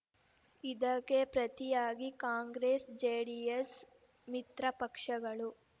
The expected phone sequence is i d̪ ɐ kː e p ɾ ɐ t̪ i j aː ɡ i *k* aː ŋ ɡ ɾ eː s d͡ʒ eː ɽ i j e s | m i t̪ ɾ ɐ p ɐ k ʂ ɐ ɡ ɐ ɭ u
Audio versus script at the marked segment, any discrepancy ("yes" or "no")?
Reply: no